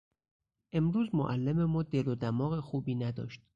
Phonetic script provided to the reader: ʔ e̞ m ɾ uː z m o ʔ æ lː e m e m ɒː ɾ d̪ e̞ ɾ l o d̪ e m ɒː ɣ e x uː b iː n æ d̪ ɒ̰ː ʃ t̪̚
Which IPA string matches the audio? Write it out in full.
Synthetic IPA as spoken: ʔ e̞ m ɾ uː z m o ʔ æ lː e m e m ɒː d̪ e̞ l o d̪ æ m ɒː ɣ e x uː b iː n æ d̪ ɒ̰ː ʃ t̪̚